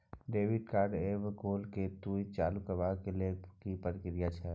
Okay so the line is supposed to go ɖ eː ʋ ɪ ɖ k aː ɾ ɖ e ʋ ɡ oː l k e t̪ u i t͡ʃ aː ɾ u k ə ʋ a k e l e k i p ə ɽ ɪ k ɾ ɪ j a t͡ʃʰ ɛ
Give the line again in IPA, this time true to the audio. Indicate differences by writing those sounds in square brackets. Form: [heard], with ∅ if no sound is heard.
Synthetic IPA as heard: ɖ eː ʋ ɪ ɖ k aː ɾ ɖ e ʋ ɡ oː l k e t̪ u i t͡ʃ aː [l] u k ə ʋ a k e l e k i p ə [ɾ] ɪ k ɾ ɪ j a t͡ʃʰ ɛ